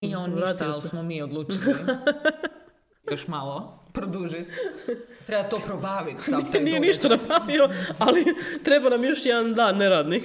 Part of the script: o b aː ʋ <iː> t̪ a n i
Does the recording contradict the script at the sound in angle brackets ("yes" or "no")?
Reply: yes